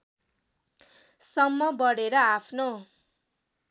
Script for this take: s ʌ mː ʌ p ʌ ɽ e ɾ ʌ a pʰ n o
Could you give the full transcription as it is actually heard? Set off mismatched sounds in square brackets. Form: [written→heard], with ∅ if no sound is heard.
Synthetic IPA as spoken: s ʌ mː ʌ [p→b] ʌ ɽ e ɾ ʌ a pʰ n o